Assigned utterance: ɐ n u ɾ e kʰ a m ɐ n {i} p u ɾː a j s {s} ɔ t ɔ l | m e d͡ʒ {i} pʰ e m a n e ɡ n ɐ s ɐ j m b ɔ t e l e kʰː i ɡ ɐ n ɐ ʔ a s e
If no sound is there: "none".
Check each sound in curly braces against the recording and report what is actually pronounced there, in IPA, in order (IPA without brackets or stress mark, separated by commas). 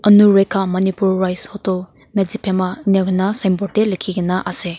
i, h, i